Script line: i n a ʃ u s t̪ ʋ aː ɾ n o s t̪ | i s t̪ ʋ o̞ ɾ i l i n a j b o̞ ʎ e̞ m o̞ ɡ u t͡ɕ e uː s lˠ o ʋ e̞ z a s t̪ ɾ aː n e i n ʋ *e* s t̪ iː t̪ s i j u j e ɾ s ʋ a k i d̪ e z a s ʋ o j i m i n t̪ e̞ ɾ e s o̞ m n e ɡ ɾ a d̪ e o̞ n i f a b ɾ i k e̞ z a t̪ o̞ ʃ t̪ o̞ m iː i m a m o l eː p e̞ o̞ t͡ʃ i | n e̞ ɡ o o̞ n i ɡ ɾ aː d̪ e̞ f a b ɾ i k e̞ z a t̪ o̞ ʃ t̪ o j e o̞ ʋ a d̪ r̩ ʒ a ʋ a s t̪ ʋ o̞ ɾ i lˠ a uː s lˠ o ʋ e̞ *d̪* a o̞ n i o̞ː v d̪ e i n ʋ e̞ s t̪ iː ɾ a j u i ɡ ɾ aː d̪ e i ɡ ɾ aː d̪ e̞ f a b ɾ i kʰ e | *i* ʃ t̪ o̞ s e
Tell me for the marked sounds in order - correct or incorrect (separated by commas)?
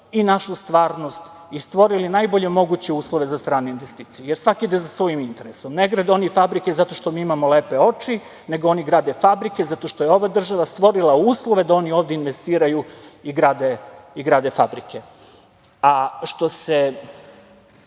correct, correct, incorrect